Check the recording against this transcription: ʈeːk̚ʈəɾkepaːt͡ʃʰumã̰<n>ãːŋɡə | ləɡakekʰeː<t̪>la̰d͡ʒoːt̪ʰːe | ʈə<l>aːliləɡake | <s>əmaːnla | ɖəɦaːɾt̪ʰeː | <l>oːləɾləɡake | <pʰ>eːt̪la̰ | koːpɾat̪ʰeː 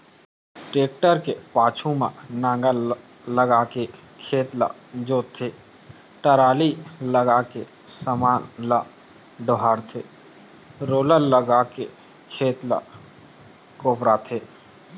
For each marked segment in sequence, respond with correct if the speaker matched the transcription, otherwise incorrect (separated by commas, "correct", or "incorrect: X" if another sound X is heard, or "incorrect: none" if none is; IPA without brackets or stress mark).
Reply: correct, correct, incorrect: ɾ, correct, incorrect: ɾ, incorrect: kʰ